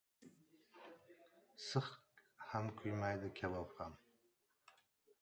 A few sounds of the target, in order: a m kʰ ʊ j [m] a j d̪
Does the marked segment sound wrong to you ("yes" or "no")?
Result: no